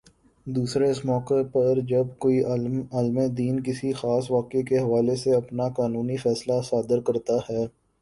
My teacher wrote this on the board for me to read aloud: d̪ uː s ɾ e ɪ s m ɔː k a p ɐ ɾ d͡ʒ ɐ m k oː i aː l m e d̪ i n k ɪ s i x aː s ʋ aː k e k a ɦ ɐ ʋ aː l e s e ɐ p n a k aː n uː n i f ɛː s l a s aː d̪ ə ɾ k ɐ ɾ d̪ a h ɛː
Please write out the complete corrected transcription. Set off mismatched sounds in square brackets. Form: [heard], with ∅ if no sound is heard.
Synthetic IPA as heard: d̪ uː s ɾ e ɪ s m ɔː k [e] p ɐ ɾ d͡ʒ ɐ [b] k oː i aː l m e d̪ [iː] n k ɪ s i x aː s ʋ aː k e k [e] ɦ ɐ ʋ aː l e s e ɐ p n a k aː n uː n i f ɛː s l a s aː d̪ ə ɾ k ɐ ɾ [t̪] a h ɛː